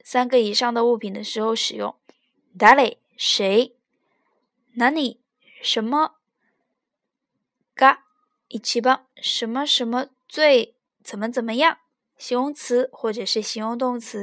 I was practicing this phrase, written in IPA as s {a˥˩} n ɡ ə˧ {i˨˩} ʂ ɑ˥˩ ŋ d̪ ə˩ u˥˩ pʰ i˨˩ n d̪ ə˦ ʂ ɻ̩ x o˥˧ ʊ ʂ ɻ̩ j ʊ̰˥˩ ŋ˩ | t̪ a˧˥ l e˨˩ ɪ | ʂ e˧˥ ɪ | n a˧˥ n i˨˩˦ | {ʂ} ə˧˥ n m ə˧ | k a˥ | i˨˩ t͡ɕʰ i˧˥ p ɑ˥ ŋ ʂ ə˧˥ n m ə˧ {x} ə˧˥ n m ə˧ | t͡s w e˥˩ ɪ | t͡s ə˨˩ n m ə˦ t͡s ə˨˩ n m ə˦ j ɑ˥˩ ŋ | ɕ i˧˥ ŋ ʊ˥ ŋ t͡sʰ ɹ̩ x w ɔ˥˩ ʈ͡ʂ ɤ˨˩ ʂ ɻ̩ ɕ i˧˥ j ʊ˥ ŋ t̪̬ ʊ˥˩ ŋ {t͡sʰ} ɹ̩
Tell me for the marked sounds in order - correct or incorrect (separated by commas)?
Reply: incorrect, correct, correct, incorrect, correct